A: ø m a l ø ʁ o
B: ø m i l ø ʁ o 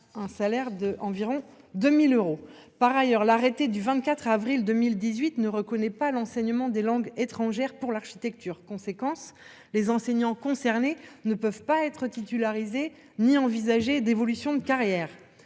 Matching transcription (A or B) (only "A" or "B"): B